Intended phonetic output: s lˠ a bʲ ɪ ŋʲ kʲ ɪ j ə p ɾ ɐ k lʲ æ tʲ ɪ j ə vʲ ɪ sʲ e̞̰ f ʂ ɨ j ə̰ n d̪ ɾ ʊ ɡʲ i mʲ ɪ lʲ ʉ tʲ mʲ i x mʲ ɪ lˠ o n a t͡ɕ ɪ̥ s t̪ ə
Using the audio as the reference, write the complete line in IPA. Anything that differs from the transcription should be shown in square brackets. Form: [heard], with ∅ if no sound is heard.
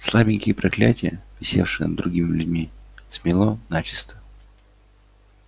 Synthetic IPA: s lˠ a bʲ ɪ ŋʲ kʲ ɪ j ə p ɾ ɐ k lʲ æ tʲ ɪ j ə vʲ ɪ sʲ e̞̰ f ʂ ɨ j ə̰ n d̪ ɾ ʊ ɡʲ i mʲ ɪ lʲ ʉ [dʲ] mʲ i [s] mʲ ɪ lˠ o n a t͡ɕ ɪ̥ s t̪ ə